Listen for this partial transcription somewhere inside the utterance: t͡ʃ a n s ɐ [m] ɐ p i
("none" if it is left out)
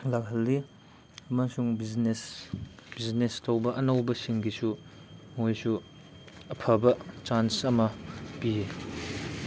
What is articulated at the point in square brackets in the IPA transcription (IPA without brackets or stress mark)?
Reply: m